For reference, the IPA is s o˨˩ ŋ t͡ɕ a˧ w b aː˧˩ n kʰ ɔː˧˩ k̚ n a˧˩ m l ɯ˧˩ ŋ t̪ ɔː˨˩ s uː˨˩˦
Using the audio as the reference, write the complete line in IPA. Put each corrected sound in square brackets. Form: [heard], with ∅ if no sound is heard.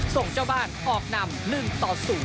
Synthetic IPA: s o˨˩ ŋ t͡ɕ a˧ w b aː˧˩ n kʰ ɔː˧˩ k̚ n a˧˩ m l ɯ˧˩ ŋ t̪ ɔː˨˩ s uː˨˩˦